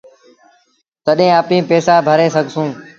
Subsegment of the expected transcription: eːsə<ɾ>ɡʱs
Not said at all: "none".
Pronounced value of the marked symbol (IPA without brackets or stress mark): none